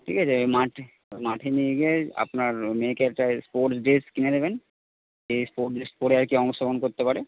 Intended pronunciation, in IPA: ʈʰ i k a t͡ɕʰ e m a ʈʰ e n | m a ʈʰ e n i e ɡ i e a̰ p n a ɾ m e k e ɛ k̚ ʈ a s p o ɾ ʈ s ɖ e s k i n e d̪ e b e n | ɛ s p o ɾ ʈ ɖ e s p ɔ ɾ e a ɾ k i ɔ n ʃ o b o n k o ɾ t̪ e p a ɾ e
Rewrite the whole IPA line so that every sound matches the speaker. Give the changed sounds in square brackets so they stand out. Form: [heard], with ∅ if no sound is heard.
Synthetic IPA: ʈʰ i k a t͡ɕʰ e m a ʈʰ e [∅] | m a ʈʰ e n i e ɡ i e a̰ p n a ɾ m e k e ɛ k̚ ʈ a s p o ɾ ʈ s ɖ e s k i n e d̪ e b e n | [e] s p o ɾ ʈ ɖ e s p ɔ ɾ e a ɾ k i ɔ [ŋ] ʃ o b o n k o ɾ t̪ e p a ɾ e